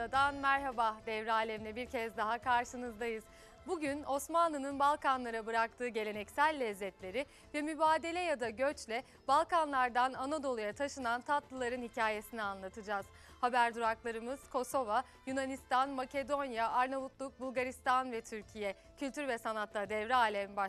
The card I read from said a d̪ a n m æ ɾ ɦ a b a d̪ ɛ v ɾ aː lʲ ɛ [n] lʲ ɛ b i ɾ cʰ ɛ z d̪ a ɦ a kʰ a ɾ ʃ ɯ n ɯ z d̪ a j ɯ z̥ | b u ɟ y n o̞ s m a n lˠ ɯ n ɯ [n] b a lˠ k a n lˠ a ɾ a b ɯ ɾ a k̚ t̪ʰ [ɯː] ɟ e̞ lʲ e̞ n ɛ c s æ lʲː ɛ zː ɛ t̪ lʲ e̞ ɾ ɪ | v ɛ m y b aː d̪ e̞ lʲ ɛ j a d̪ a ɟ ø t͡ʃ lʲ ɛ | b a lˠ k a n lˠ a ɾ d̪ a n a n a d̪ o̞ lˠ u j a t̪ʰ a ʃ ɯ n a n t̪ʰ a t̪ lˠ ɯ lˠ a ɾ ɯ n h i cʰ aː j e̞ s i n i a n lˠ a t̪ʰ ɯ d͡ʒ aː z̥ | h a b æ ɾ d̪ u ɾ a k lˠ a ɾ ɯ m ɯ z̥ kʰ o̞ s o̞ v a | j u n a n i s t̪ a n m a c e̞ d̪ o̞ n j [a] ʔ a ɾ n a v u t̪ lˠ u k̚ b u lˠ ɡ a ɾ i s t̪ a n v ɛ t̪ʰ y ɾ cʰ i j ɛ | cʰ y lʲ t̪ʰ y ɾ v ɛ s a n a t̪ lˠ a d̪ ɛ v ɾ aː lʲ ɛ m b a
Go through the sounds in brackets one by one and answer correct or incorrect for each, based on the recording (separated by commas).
incorrect, correct, correct, correct